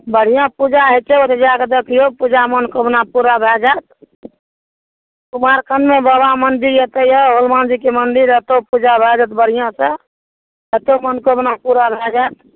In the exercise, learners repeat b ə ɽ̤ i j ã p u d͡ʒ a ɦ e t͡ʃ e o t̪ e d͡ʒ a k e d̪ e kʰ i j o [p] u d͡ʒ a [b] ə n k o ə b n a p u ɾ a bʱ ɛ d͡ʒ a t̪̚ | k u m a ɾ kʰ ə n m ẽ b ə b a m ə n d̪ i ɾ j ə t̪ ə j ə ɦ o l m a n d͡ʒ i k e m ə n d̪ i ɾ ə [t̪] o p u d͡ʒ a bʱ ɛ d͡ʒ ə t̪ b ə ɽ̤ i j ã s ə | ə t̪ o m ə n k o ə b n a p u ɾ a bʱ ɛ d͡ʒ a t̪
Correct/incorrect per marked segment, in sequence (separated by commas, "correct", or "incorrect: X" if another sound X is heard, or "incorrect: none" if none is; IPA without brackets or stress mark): correct, incorrect: m, correct